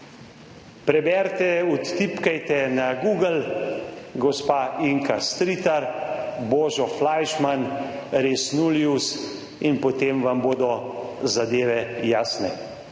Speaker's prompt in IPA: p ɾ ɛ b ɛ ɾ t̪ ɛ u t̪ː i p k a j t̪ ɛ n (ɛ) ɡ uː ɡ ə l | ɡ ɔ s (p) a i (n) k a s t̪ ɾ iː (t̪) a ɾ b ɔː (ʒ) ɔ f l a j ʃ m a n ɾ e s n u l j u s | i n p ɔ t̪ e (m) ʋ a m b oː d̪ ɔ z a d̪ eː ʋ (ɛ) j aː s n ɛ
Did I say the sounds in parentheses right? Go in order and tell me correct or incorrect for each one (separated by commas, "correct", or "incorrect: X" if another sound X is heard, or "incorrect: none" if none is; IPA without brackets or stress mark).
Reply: incorrect: a, correct, incorrect: ŋ, correct, correct, correct, correct